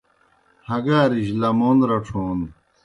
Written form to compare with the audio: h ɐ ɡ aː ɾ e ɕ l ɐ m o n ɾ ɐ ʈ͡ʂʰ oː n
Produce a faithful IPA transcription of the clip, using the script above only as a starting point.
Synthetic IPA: h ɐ ɡ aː ɾ i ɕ l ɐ m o n ɾ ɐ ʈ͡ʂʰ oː n